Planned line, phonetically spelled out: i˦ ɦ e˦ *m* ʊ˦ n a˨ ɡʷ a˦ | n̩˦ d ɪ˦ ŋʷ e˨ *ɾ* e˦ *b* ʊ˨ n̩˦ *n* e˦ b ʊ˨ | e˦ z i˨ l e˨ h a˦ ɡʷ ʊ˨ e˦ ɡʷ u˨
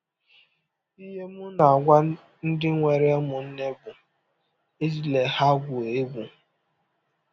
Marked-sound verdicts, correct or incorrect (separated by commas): correct, correct, incorrect, correct